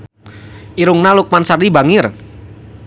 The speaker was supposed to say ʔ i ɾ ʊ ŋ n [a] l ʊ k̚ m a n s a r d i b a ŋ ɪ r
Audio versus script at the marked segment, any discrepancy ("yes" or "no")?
no